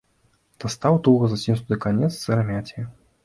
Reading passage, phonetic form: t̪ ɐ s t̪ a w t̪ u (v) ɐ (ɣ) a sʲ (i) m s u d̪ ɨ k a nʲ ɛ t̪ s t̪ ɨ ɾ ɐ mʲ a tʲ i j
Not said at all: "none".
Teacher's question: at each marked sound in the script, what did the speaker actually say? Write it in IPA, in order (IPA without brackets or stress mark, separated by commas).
ɣ, z, i